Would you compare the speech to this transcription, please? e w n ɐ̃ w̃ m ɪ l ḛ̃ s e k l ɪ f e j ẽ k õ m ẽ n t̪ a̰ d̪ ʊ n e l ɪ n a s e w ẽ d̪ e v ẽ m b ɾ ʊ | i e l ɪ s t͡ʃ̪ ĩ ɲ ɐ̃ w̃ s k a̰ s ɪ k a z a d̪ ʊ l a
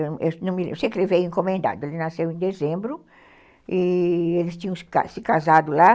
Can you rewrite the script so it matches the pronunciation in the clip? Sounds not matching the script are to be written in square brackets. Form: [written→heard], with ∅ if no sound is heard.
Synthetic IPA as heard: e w n ɐ̃ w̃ m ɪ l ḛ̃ s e k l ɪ [f→v] e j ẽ k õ m ẽ n [t̪→d̪] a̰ d̪ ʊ [n→∅] e l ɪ n a s e w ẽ d̪ e [v→z] ẽ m b ɾ ʊ | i e l ɪ s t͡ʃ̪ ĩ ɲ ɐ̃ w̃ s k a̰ s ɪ k a z a d̪ ʊ l a

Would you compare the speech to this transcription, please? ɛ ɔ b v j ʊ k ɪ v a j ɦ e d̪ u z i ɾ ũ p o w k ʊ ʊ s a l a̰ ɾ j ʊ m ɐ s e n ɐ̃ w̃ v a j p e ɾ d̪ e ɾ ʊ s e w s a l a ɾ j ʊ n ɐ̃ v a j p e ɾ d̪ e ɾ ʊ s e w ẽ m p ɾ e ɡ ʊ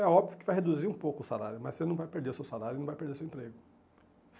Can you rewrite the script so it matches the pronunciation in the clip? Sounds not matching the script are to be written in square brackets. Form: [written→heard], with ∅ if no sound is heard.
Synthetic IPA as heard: ɛ ɔ b v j ʊ k ɪ v a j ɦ e d̪ u z i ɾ ũ p o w k ʊ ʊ s a l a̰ ɾ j ʊ m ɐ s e n ɐ̃ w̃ v a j p e ɾ d̪ e ɾ ʊ s e w s a l a ɾ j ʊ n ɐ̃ v a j p e ɾ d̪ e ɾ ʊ s e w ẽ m p ɾ e ɡ ʊ

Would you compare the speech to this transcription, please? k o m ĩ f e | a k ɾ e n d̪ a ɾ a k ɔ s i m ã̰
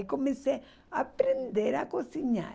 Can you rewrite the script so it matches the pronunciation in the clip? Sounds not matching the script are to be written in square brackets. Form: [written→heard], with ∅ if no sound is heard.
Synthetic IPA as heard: k o m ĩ [f→s] e | a [k→p] ɾ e n d̪ [a→e] ɾ a k [ɔ→o] s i [m→ɲ] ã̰

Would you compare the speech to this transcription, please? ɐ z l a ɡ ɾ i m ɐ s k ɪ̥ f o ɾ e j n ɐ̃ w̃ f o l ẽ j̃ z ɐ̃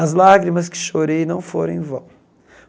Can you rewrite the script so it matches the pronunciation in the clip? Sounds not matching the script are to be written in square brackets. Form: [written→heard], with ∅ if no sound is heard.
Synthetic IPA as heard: ɐ z l a ɡ ɾ i m ɐ s k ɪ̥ [f→ʃ] o ɾ e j n ɐ̃ w̃ f o [l→ɾ] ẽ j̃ [z→v] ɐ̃

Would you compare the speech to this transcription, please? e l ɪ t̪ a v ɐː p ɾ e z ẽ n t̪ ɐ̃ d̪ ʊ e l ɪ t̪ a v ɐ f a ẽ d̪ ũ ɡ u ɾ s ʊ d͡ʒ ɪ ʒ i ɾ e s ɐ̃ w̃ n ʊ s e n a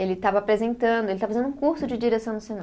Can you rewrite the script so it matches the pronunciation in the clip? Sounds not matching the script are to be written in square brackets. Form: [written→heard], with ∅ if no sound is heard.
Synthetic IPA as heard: e l ɪ t̪ a v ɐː p ɾ e z ẽ n t̪ ɐ̃ d̪ ʊ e l ɪ t̪ a v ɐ f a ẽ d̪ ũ [ɡ→k] u ɾ s ʊ d͡ʒ ɪ [ʒ→d͡ʒ] i ɾ e s ɐ̃ w̃ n ʊ s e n a

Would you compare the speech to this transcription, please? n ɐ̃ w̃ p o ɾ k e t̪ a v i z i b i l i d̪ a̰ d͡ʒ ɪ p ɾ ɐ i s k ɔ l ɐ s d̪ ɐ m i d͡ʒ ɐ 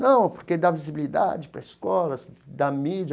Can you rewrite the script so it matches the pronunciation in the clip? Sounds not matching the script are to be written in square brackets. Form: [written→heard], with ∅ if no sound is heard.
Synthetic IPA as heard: n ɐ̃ w̃ p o ɾ k e [t̪→d̪] a v i z i b i l i d̪ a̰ d͡ʒ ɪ p ɾ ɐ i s k ɔ l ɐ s d̪ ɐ m i d͡ʒ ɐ

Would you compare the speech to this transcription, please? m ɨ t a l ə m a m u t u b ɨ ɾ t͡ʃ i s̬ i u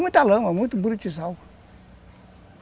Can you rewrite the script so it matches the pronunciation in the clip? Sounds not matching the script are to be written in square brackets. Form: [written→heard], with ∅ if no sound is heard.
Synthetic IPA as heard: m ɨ t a l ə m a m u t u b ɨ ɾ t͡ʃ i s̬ [i→a] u

